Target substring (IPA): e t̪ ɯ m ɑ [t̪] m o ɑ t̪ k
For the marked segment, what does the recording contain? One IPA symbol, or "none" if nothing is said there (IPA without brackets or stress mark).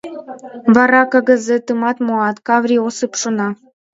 t̪